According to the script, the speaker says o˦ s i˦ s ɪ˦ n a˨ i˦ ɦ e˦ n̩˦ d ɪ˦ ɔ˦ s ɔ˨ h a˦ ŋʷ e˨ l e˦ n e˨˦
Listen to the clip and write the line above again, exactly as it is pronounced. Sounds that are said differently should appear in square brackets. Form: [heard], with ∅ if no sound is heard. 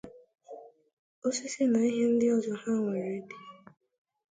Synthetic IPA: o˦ s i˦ s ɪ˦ n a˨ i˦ ɦ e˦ n̩˦ d ɪ˦ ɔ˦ [z] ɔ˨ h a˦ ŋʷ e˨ [ɾ] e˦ [d] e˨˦